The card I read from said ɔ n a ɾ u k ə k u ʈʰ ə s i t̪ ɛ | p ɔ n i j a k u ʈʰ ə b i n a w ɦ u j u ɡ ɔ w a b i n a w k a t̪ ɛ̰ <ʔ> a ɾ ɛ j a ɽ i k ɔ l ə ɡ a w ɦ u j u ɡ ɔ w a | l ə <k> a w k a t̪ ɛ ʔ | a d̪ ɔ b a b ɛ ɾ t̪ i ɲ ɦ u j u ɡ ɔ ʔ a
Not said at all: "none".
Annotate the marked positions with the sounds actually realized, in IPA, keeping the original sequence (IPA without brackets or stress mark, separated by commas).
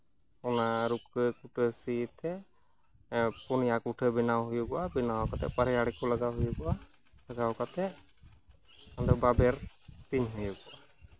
p, ɡ